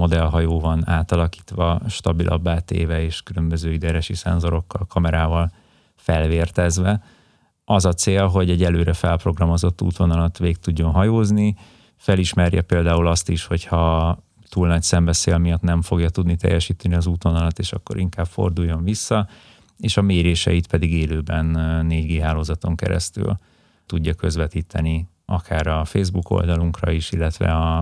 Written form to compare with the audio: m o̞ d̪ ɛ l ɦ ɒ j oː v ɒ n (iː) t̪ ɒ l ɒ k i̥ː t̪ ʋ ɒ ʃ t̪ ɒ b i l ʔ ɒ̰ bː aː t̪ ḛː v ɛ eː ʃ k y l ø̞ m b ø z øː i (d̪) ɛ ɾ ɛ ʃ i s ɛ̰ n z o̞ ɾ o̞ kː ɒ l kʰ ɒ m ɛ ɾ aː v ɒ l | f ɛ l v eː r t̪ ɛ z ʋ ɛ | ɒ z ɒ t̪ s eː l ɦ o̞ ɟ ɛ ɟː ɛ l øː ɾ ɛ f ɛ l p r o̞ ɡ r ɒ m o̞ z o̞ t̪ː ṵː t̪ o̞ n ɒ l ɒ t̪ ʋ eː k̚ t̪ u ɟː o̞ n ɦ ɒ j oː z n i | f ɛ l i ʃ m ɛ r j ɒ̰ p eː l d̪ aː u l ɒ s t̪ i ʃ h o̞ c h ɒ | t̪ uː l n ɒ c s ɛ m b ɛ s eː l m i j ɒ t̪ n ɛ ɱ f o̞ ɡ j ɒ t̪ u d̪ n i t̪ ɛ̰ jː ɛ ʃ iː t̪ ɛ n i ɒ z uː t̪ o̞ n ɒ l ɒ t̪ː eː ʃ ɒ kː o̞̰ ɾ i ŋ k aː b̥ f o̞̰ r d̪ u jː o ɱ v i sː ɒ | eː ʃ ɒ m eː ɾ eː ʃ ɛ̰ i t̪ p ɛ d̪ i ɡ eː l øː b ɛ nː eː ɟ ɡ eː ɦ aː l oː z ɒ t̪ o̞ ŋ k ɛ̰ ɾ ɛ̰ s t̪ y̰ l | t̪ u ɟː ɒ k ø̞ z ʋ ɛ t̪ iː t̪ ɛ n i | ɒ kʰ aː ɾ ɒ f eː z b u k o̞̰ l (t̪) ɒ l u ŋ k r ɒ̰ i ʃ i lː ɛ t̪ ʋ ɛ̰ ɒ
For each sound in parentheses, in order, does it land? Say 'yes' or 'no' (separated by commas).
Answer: no, yes, no